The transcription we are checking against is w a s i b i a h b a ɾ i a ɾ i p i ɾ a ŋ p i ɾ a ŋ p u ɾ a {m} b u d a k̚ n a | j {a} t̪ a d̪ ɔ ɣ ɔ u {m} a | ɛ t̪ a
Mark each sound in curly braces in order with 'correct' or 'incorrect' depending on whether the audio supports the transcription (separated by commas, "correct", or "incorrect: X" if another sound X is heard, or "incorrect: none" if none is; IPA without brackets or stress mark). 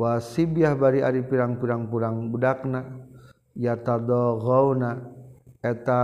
incorrect: ŋ, correct, incorrect: n